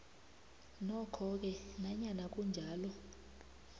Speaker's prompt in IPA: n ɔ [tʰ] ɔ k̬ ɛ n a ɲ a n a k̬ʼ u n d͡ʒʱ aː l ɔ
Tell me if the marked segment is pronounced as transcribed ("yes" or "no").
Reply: no